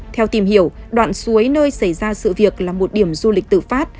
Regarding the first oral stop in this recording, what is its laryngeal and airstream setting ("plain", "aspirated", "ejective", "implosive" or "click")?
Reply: aspirated